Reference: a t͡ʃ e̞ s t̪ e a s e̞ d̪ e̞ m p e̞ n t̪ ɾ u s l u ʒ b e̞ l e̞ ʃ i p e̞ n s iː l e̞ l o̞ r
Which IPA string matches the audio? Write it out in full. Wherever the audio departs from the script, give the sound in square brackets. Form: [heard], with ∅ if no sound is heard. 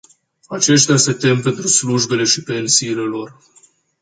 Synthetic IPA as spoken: a t͡ʃ e̞ [ʃ] t̪ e a s e̞ [t̪] e̞ m p e̞ n t̪ ɾ u s l u ʒ b e̞ l e̞ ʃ i p e̞ n s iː l e̞ l o̞ r